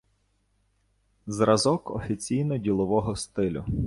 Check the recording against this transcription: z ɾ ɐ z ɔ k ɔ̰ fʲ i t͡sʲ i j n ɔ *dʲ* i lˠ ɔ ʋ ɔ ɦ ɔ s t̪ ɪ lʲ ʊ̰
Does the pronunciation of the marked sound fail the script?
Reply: no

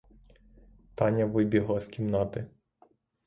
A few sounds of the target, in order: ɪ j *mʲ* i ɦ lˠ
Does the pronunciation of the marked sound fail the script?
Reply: yes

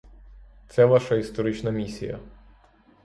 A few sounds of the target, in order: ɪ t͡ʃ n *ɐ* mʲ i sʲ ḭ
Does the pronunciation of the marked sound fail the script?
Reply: no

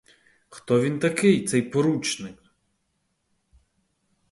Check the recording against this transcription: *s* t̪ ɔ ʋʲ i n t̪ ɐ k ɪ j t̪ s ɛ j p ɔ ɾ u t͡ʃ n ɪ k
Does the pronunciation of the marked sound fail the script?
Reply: yes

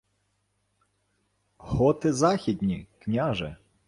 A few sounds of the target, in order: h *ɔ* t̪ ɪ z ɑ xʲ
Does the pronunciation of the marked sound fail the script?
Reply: no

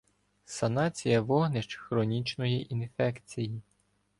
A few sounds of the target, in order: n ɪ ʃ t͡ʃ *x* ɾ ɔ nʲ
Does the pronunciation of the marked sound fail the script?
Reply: no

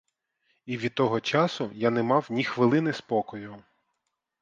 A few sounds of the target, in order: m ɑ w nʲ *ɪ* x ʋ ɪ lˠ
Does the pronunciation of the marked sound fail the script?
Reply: yes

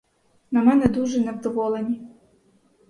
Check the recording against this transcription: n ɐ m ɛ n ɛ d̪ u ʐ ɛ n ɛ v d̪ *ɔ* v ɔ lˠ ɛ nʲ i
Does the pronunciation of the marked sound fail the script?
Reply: no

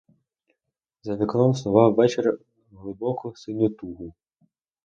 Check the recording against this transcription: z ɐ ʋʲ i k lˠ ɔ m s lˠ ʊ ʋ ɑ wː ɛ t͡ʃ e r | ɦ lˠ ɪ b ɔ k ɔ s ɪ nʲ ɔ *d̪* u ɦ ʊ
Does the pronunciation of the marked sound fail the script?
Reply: yes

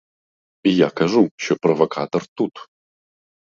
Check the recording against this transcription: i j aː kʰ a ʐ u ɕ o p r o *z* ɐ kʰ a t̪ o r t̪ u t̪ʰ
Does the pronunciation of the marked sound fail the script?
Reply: yes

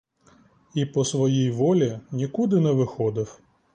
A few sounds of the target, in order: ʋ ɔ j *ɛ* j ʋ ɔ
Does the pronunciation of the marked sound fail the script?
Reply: yes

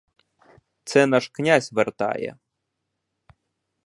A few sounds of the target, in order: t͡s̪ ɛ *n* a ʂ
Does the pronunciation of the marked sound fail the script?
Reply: no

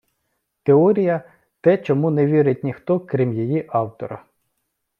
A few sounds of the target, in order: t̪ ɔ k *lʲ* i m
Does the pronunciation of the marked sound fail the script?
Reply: yes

